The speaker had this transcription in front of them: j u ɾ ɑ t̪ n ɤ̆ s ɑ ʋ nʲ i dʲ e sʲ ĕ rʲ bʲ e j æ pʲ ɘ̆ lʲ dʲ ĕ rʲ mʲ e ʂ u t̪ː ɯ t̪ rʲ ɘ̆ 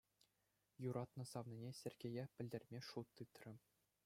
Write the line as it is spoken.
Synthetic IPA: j u ɾ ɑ t̪ n ɤ̆ s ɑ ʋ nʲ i nʲ e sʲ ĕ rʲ ɡʲ e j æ pʲ ɘ̆ lʲ dʲ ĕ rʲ mʲ e ʂ u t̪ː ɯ t̪ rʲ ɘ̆